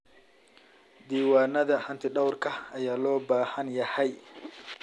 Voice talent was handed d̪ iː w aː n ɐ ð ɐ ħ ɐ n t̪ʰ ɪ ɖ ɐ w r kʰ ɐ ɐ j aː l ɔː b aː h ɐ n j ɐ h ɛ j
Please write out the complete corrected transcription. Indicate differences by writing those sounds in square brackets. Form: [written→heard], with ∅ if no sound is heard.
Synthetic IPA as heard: d̪ iː w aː n ɐ ð ɐ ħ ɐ n t̪ʰ ɪ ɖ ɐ w r kʰ ɐ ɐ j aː l ɔː b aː h ɐ n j ɐ h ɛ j